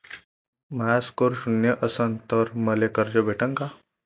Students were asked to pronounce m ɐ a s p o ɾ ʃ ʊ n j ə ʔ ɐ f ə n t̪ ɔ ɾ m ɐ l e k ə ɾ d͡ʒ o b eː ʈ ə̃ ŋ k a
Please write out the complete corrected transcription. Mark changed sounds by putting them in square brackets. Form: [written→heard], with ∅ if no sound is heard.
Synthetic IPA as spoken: m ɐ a s [p→k] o ɾ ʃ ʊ n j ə ʔ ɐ [f→s] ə n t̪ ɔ ɾ m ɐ l e k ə ɾ d͡ʒ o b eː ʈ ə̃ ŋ k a